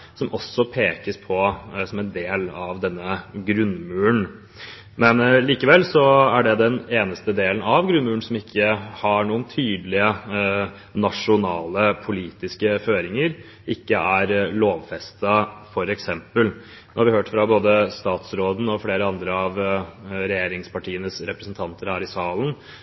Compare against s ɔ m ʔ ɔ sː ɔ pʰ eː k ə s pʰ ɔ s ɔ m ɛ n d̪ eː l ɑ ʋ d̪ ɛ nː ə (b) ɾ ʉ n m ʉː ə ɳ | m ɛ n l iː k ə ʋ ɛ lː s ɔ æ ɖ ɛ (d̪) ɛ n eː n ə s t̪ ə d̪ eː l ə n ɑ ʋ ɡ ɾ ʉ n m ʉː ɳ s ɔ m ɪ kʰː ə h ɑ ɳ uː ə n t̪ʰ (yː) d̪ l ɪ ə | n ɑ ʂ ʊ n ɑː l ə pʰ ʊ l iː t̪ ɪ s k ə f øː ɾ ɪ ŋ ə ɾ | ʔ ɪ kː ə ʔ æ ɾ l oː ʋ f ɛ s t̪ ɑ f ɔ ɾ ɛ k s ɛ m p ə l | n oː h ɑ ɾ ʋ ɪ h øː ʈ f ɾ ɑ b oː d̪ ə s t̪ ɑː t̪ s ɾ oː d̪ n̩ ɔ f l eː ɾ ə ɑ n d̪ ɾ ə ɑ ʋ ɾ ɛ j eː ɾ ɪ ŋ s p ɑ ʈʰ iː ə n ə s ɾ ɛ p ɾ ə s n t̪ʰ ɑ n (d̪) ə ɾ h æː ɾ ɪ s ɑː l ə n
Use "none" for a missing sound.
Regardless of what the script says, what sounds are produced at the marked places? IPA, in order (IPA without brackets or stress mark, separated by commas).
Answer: ɡ, d̪, yː, t̪